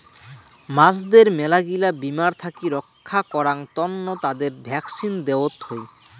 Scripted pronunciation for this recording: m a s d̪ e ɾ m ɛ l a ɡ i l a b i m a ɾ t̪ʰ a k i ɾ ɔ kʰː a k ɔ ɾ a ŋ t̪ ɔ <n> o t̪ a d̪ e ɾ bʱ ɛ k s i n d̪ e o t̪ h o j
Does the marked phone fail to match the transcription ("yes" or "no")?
yes